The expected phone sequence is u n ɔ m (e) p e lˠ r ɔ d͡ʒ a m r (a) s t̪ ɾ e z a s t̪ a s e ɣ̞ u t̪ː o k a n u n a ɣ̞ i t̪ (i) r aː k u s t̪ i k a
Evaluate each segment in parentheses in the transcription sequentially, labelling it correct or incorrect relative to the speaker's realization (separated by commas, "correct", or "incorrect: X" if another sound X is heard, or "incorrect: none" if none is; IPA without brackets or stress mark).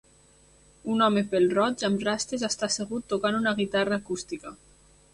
correct, correct, incorrect: a